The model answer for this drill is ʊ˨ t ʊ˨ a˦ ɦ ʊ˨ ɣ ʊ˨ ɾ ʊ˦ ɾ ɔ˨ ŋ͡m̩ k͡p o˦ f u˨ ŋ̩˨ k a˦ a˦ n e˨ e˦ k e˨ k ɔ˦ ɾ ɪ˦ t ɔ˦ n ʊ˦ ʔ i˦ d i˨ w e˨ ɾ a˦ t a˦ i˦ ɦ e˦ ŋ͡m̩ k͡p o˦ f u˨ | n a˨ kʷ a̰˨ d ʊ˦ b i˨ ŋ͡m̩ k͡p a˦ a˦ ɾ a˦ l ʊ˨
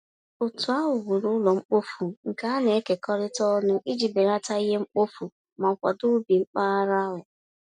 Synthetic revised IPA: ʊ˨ t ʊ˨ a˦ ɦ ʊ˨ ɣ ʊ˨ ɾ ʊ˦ l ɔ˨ ŋ͡m̩ k͡p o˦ f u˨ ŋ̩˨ k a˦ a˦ n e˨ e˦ k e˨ k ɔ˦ ɾ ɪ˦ t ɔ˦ n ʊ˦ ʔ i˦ d͡ʒ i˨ b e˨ ɾ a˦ t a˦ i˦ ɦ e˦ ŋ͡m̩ k͡p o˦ f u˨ | m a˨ kʷ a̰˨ d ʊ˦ b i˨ ŋ͡m̩ k͡p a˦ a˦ ɾ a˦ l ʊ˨

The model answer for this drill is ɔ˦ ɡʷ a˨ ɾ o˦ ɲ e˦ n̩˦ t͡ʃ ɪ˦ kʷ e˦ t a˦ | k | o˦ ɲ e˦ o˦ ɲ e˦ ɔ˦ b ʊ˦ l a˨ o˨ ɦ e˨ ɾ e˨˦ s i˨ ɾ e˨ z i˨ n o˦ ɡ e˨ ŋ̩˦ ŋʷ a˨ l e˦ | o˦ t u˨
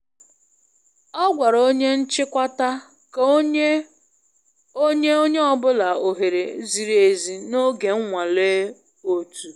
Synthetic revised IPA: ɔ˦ ɡʷ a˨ ɾ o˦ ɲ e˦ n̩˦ t͡ʃ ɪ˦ kʷ a˦ t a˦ | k | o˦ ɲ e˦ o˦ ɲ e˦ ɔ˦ b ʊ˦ l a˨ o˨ ɦ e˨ ɾ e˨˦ z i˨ ɾ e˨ z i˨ n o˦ ɡ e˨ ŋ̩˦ ŋʷ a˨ l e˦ | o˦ t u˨

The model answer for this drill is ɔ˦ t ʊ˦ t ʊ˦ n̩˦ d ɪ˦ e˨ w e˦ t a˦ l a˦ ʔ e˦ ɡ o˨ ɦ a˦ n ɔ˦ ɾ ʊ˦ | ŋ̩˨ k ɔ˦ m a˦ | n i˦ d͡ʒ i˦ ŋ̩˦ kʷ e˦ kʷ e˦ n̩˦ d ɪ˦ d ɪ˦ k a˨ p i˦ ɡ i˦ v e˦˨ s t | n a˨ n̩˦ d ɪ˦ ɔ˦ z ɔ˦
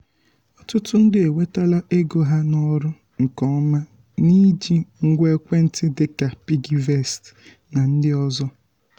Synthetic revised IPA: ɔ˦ t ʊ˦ t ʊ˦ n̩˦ d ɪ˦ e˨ w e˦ t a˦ l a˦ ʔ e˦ ɡ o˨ ɦ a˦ n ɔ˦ ɾ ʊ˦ | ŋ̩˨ k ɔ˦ m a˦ | n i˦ d͡ʒ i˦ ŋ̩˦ ɡʷ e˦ kʷ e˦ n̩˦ t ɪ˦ d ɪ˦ k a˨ p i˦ ɡ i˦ v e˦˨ s t | n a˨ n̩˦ d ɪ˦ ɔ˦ z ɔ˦

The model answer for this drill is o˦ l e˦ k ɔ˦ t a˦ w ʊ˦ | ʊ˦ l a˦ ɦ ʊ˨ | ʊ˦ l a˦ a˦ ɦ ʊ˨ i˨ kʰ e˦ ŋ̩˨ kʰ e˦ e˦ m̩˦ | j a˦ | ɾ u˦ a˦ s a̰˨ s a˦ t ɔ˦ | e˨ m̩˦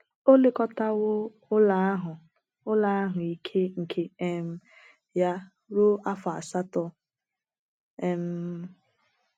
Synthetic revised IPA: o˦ l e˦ k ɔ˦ t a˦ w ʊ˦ | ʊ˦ l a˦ ɦ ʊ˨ | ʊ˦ l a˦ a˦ ɦ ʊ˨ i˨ kʰ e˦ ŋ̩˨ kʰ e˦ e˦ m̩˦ | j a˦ | ɾ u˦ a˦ f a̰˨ s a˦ t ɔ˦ | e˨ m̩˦

